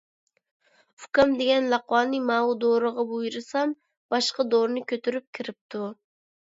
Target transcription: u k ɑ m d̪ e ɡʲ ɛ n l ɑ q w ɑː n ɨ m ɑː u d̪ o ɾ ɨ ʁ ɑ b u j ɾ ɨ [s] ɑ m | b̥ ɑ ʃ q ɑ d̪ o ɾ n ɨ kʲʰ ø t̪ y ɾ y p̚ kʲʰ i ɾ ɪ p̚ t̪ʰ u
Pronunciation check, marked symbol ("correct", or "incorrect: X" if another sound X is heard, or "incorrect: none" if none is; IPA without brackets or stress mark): correct